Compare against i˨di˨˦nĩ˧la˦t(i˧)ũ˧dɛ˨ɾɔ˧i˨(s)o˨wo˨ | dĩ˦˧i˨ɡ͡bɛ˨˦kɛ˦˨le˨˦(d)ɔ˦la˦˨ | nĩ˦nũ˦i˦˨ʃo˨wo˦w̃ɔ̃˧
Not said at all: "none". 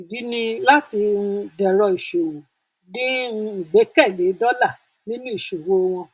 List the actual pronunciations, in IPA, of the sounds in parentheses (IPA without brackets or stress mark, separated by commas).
i˧, ʃ, d